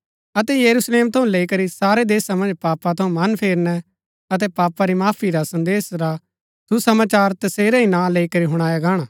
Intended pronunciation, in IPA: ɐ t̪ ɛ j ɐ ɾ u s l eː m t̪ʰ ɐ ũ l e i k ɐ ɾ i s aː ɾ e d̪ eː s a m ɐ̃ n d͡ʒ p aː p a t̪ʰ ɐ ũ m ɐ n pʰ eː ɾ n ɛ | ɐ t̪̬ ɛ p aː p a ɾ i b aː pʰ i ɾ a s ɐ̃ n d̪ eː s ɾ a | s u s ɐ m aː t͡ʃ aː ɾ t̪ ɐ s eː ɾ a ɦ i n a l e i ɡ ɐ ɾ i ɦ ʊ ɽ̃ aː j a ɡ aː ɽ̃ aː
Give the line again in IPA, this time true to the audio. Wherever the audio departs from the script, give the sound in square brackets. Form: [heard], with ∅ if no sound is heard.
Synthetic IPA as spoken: ɐ t̪ ɛ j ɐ ɾ u s l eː m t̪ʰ ɐ ũ l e i k ɐ ɾ i s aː ɾ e d̪ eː s a m ɐ̃ n d͡ʒ p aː p a t̪ʰ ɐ ũ m ɐ n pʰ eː ɾ n ɛ | ɐ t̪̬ ɛ p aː p a ɾ i [m] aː pʰ i ɾ a s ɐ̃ n d̪ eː s ɾ a | s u s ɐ m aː t͡ʃ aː ɾ t̪ ɐ s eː ɾ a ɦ i n a l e i [k] ɐ ɾ i ɦ ʊ ɽ̃ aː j a ɡ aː ɽ̃ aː